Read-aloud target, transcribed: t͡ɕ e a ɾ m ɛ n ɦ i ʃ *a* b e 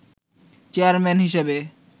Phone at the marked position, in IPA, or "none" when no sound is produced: e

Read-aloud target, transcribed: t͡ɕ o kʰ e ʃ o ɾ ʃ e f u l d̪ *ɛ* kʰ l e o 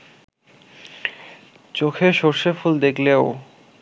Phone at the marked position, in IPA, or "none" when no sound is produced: e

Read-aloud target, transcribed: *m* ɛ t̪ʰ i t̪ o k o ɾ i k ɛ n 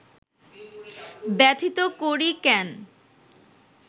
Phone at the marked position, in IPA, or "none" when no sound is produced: b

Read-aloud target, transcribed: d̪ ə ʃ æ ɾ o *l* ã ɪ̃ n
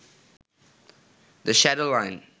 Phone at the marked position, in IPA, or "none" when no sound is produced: l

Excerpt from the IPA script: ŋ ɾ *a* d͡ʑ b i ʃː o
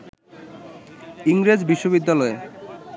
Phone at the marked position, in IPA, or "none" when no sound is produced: e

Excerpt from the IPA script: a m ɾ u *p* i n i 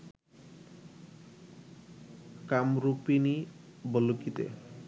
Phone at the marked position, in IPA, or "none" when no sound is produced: p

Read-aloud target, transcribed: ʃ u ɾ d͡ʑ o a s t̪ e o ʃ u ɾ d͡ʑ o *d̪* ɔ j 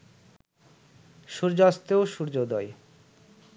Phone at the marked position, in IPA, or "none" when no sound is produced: d̪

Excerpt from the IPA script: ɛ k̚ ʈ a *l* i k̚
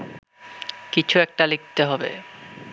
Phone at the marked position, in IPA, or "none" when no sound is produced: l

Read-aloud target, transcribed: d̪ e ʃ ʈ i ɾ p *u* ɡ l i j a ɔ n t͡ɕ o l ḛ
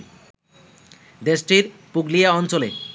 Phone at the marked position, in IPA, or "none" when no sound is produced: u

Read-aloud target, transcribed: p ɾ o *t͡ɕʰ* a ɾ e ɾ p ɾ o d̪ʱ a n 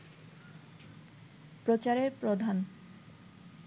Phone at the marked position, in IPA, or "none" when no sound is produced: t͡ɕ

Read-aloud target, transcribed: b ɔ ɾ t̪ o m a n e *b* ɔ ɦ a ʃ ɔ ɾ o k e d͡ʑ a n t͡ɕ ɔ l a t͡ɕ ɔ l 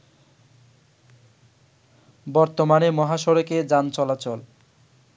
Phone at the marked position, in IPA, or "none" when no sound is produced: m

